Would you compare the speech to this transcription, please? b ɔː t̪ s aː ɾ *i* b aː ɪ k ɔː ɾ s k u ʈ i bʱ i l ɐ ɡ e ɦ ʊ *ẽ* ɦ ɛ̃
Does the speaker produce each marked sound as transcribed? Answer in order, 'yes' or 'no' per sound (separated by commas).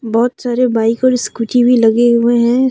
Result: no, no